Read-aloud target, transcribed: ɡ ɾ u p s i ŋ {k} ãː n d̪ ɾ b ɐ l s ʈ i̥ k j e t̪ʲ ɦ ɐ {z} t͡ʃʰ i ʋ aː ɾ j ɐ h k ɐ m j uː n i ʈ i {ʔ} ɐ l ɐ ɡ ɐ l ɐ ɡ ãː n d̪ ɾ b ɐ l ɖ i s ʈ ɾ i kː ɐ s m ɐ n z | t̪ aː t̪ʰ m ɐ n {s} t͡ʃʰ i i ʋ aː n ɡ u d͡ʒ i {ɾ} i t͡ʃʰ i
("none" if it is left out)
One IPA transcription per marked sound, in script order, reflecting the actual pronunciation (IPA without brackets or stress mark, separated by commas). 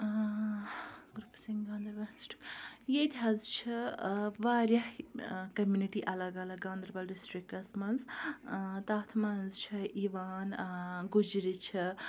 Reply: ɡ, z, ʔ, z, ɾ